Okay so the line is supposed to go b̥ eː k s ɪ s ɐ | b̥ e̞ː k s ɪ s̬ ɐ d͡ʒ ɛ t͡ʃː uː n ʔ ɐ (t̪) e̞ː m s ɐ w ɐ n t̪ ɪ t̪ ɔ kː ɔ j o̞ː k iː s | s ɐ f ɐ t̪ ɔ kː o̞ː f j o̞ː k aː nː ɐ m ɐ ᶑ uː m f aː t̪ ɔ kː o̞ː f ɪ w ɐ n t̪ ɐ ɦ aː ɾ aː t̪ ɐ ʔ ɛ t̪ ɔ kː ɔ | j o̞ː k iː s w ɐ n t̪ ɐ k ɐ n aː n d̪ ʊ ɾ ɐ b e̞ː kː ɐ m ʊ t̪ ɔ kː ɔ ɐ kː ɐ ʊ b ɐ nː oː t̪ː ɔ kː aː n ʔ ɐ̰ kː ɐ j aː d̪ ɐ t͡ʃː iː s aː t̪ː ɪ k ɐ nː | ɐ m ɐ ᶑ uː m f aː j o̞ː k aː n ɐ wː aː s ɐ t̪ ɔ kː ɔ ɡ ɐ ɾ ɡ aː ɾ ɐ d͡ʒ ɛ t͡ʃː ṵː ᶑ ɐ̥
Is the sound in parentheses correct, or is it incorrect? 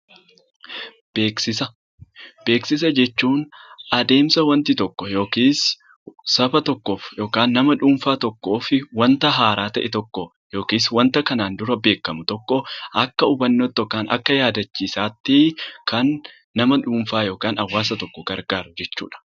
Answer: incorrect